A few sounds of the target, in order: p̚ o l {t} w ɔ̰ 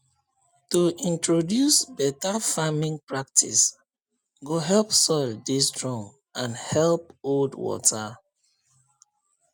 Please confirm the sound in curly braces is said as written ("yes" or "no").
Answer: no